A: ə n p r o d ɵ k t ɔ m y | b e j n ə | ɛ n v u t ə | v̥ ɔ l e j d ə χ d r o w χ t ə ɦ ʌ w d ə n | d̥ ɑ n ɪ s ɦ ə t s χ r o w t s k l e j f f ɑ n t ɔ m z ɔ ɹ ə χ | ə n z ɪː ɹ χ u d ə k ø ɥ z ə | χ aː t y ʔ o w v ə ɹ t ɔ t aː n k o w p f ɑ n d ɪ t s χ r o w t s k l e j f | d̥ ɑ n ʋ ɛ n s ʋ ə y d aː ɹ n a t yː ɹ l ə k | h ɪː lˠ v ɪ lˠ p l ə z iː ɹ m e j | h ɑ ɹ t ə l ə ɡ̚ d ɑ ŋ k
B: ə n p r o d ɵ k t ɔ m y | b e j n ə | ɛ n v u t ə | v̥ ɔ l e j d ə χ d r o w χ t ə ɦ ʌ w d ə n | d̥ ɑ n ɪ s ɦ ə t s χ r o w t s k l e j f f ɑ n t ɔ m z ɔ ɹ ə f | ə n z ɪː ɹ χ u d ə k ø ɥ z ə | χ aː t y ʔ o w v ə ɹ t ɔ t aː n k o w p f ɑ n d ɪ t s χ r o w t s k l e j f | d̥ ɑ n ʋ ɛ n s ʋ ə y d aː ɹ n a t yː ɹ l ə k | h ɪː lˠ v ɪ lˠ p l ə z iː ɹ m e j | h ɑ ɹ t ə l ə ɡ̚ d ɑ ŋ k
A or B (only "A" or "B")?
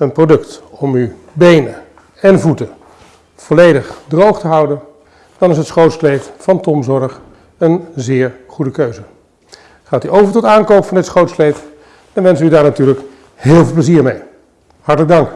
A